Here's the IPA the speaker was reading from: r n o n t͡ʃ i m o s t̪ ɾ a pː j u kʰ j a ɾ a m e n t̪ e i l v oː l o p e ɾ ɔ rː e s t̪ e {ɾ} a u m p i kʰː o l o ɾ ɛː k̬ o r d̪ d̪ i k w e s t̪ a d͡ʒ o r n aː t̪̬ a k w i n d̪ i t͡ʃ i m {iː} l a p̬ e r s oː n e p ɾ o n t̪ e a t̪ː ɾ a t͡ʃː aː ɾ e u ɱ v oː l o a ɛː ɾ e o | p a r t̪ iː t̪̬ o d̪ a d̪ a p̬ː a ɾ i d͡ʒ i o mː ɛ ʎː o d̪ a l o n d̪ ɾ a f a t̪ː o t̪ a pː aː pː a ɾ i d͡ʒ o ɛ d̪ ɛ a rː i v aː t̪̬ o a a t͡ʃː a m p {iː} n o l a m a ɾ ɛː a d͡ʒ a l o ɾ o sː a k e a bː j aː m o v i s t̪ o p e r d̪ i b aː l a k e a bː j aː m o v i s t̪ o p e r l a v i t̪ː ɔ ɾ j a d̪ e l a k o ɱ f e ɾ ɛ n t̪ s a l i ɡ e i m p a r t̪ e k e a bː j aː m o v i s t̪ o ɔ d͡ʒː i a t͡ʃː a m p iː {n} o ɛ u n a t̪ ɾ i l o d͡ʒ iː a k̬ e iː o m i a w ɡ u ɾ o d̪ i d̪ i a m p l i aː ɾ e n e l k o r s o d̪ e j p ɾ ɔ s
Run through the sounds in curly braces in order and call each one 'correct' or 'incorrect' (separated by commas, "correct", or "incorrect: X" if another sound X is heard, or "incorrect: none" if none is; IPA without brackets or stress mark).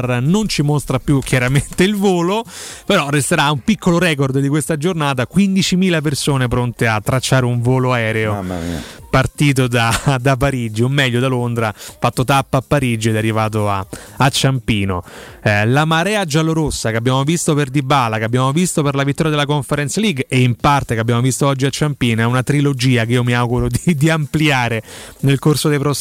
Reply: correct, correct, correct, correct